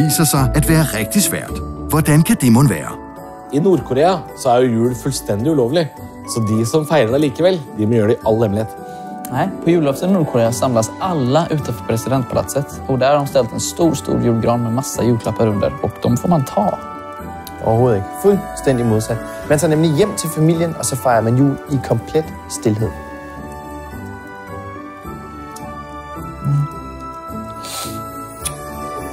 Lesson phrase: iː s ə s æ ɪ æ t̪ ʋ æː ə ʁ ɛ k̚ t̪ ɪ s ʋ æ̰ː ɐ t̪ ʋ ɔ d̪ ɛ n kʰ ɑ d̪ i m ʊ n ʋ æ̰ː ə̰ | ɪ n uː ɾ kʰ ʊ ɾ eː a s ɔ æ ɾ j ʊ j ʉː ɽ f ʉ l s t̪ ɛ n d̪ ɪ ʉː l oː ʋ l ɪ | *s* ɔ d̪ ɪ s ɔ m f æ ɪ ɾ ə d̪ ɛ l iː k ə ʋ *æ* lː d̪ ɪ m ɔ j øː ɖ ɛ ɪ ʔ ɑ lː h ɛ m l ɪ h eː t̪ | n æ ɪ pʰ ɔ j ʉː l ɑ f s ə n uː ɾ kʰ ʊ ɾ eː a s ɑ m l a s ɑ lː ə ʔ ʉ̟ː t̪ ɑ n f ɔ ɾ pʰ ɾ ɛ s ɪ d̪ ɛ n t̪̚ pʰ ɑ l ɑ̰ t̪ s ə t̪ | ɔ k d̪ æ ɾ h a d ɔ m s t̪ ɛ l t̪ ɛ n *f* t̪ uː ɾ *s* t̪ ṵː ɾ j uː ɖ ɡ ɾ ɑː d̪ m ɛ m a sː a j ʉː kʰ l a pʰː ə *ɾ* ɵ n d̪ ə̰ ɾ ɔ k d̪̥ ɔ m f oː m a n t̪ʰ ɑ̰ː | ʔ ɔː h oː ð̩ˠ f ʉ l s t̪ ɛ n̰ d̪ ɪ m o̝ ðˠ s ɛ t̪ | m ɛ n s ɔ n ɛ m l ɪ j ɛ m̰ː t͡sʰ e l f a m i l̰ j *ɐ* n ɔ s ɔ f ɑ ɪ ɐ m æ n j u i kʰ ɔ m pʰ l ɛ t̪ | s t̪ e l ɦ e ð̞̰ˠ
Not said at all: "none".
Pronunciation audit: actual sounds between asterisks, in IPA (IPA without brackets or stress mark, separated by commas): s, ɛ, s, s, ɾ, ə